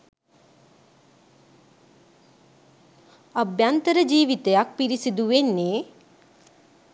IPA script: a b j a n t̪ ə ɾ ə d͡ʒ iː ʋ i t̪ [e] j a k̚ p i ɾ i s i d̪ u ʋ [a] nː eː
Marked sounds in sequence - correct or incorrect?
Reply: correct, incorrect

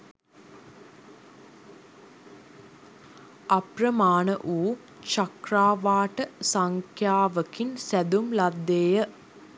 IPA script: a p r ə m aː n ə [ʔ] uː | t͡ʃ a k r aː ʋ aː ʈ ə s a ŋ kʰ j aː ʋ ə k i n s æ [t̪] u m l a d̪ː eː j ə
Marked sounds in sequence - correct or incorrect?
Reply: correct, incorrect

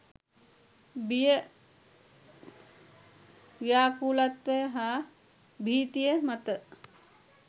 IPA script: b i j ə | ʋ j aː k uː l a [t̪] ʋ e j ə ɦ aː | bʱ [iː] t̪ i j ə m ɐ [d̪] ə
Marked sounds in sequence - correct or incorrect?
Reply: correct, correct, incorrect

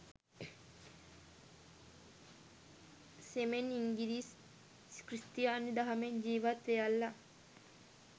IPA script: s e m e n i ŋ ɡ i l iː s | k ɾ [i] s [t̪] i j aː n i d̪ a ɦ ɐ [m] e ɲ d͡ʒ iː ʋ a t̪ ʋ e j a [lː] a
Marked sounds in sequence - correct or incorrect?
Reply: correct, correct, correct, correct

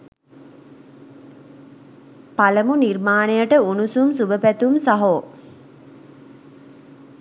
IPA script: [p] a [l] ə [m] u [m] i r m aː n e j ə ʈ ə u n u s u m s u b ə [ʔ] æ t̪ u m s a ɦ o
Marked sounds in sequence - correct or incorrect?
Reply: correct, correct, correct, incorrect, incorrect

